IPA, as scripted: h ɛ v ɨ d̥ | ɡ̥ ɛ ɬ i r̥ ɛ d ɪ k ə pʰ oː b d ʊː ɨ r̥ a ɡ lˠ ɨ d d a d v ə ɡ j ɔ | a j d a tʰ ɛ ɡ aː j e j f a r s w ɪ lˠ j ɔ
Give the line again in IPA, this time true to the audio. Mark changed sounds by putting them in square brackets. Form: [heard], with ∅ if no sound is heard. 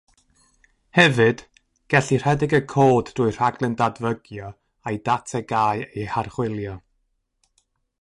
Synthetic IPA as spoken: h ɛ v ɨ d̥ | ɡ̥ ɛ ɬ i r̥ ɛ d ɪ [ɡ] ə [kʰ] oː [d] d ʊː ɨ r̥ a ɡ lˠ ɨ [n] d a d v ə ɡ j ɔ | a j d a tʰ ɛ ɡ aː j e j [h] a r [χ] w ɪ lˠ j ɔ

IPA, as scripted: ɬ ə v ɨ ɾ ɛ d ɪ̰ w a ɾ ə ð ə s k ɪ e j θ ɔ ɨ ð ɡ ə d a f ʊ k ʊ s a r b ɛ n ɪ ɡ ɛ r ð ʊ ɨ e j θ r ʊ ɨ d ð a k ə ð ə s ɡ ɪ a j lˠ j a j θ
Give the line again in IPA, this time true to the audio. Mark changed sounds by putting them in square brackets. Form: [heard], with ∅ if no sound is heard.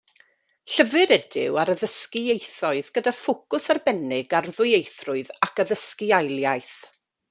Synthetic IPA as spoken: ɬ ə v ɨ ɾ ɛ d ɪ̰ w a ɾ ə ð ə s k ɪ e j θ ɔ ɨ ð ɡ ə d a f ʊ k ʊ s a r b ɛ n ɪ ɡ [a] r ð ʊ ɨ e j θ r ʊ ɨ [∅] ð a k ə ð ə s [k] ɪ a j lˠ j a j θ

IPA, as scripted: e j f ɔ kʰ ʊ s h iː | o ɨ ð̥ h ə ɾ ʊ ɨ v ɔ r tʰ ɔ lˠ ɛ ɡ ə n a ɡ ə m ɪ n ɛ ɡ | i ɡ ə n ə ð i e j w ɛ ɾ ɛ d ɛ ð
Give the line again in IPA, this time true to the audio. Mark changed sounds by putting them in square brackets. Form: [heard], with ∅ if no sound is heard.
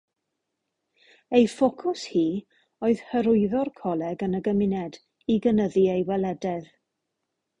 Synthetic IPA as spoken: e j f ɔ kʰ ʊ s h iː | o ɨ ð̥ h ə ɾ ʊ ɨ [ð] ɔ r [kʰ] ɔ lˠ ɛ ɡ ə n [ə] ɡ ə m ɪ n ɛ [d] | i ɡ ə n ə ð i e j w ɛ [l] ɛ d ɛ ð

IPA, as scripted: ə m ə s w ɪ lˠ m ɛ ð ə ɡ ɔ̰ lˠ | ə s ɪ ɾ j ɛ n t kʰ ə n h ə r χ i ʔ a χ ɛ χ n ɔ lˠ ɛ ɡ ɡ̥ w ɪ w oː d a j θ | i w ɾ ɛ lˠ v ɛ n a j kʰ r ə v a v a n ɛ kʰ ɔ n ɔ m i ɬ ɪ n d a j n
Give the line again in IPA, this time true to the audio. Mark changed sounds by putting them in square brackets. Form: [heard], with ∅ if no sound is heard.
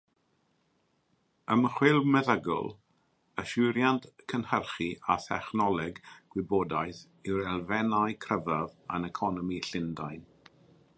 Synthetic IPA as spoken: ə m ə [χ] w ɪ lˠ m ɛ ð ə ɡ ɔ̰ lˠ | ə [ʃ] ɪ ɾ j [a] n t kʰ ə n h ə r χ i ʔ a [θ] ɛ χ n ɔ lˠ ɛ ɡ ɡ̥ w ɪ [b] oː d a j θ | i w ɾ ɛ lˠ v ɛ n a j kʰ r ə v a v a n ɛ kʰ ɔ n ɔ m i ɬ ɪ n d a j n

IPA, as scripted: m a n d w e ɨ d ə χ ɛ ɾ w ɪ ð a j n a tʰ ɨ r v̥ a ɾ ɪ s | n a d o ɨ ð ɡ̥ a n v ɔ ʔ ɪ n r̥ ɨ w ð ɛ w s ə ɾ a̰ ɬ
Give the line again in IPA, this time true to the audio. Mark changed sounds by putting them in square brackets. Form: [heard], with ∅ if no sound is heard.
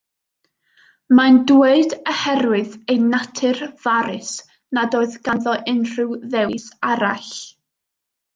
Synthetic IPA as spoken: m a n d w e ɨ d ə [h] ɛ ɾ w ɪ ð [e] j n a tʰ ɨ r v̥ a ɾ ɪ s | n a d o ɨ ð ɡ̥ a n [ð] ɔ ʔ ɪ n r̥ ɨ w ð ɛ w s [a] ɾ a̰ ɬ

